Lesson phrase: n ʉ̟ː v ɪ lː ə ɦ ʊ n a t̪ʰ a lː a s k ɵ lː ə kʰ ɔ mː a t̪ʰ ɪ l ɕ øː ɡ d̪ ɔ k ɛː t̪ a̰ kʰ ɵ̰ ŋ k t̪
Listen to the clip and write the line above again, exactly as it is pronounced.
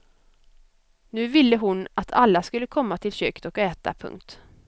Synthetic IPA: n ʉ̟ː v ɪ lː ə ɦ ʊ n a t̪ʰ a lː a s k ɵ lː ə kʰ ɔ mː a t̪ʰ ɪ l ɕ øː k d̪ ɔ k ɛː t̪ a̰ pʰ ɵ̰ ŋ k t̪

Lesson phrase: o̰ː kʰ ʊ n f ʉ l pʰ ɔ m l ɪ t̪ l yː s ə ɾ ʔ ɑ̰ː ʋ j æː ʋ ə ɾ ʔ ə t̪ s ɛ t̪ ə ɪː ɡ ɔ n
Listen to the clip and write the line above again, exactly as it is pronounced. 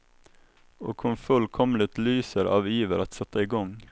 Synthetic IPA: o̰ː kʰ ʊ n f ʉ l kʰ ɔ m l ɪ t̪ l yː s ə ɾ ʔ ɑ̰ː ʋ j iː ʋ ə ɾ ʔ ɑ t̪ s ɛ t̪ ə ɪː ɡ ɔ ŋ

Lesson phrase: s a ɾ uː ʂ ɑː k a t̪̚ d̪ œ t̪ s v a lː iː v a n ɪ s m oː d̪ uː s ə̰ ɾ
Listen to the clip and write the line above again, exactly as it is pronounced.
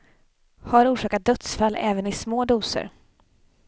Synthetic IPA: h a ɾ uː ʂ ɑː k a t̪̚ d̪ œ t̪ s f a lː ɛː v ə n ɪ s m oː d̪ uː s ə̰ ɾ

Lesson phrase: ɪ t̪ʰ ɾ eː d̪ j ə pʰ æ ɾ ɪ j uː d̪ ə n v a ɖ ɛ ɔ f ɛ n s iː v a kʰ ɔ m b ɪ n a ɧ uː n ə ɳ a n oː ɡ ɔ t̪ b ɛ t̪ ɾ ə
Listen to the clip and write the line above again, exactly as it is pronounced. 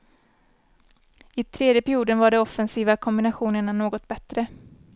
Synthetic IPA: ɪ t̪ʰ ɾ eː d̪ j ə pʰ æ ɾ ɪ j uː d̪ ə n v a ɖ ɛ ɔ f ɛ n s iː v a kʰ ɔ m b ɪ n a ɧ uː n ə ɳ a n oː ɡ ɔ t̪ b ɛ t̪ ɾ ə

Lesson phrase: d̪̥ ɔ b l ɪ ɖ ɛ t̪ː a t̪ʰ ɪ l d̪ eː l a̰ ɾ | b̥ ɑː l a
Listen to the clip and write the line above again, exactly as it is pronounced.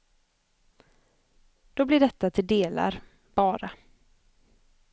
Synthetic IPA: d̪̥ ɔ b l ɪ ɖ ɛ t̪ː a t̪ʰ ɪ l d̪ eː l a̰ ɾ | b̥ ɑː ɾ a

